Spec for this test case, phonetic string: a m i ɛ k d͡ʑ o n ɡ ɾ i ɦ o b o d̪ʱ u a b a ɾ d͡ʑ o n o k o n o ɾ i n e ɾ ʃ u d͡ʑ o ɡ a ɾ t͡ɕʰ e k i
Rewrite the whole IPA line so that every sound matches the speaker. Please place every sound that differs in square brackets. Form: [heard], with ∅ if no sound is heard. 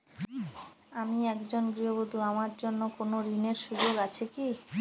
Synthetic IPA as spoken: a m i ɛ k d͡ʑ o n ɡ ɾ i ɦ o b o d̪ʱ u a [m] a ɾ d͡ʑ o [nː] o k o n o ɾ i n e ɾ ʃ u d͡ʑ o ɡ a [∅] t͡ɕʰ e k i